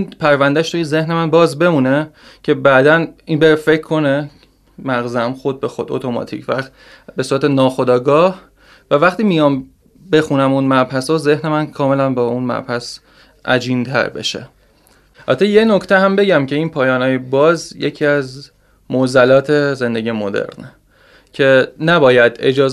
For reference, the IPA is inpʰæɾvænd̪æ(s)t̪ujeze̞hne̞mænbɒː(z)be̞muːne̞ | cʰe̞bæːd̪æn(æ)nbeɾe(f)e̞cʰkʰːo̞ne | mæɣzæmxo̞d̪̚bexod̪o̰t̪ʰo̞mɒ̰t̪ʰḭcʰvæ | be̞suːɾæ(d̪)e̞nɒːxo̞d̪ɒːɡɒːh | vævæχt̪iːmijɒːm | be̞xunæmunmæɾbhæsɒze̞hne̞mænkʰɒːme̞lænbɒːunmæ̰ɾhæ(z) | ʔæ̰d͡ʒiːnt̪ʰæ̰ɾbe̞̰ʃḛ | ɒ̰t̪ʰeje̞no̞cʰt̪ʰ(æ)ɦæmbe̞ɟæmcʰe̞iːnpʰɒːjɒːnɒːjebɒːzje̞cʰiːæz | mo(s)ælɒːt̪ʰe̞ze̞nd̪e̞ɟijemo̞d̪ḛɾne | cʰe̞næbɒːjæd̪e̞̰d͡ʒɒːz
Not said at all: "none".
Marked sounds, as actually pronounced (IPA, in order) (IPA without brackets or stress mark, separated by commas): ʃ, z, i, f, t̪, s, e, z